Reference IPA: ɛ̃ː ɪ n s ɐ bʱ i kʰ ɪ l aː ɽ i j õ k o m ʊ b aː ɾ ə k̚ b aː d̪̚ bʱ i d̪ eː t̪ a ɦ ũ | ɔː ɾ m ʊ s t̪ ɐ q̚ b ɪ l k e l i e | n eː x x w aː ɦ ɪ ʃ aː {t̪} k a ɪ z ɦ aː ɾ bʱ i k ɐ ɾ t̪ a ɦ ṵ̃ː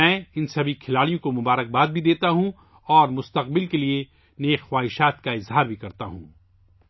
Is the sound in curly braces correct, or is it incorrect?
correct